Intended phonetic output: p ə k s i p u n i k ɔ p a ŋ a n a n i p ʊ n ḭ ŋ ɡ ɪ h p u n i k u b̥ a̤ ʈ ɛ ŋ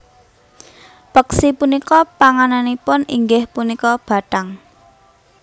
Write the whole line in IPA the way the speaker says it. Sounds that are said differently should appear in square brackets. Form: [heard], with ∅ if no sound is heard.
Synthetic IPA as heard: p ə k s i p u n i k ɔ p a ŋ a n a n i p ʊ n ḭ ŋ ɡ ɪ h p u n i k [ɔ] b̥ a̤ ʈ [a] ŋ